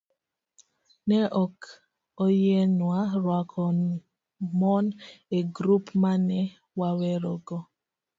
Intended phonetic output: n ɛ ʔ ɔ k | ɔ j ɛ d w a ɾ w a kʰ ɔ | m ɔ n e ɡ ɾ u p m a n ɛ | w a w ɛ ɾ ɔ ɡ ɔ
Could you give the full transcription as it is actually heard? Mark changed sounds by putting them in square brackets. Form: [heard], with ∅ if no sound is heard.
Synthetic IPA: n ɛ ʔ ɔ k | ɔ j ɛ [n] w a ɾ w a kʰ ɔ | m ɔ n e ɡ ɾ u p m a n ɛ | w a w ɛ ɾ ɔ ɡ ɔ